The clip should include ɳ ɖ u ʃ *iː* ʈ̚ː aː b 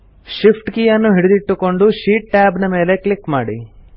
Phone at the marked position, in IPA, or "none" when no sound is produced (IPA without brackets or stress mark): iː